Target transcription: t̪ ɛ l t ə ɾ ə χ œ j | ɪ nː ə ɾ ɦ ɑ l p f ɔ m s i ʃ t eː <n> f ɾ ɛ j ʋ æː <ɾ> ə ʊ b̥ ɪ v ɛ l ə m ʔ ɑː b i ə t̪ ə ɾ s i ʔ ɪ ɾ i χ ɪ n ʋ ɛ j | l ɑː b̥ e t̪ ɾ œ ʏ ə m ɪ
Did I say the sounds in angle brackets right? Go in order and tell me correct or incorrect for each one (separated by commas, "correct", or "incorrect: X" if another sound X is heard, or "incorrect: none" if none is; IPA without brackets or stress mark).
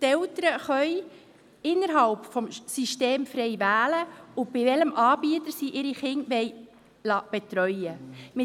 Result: incorrect: m, incorrect: l